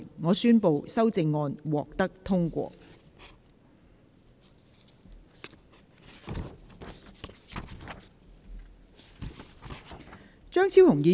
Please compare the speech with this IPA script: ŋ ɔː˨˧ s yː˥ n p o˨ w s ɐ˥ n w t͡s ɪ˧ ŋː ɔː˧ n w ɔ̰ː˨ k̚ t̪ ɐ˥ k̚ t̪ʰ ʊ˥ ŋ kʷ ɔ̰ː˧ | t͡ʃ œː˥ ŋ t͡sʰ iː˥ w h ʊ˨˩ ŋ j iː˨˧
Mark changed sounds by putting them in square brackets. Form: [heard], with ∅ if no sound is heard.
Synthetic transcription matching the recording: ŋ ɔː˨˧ s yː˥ n p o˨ w s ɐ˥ [∅] w t͡s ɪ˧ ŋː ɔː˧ n w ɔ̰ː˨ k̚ t̪ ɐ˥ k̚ t̪ʰ ʊ˥ ŋ kʷ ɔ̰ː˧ | t͡ʃ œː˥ ŋ t͡sʰ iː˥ w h ʊ˨˩ ŋ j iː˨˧